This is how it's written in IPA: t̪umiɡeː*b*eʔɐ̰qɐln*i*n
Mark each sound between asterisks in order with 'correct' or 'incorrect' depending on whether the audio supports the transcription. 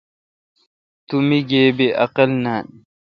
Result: correct, incorrect: a

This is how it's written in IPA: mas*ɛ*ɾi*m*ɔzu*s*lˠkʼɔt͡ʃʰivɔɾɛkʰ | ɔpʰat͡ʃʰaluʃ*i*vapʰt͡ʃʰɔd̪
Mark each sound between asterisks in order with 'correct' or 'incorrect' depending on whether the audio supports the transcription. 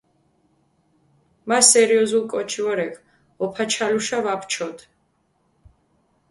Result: correct, incorrect: none, incorrect: none, incorrect: a

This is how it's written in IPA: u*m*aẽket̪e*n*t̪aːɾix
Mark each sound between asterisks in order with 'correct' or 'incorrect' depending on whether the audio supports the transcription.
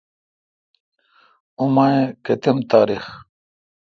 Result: correct, incorrect: m

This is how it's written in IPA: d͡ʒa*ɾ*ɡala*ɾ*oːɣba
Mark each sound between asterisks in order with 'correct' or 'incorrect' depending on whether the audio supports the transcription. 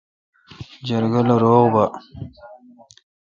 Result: correct, correct

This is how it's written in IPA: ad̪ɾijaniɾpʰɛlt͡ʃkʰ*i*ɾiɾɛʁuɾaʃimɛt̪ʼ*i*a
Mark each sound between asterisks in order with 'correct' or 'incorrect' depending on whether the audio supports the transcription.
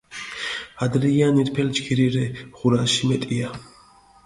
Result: correct, correct

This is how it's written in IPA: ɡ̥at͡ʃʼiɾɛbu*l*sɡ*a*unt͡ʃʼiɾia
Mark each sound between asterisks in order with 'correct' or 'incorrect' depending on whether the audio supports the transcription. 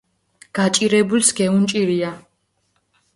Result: correct, incorrect: ɛ

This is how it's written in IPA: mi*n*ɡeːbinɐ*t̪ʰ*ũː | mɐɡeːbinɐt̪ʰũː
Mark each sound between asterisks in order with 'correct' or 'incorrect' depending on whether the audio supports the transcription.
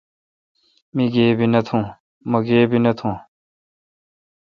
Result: incorrect: none, correct

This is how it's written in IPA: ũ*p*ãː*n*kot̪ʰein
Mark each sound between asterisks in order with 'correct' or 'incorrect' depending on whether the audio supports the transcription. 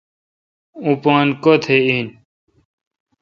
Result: correct, correct

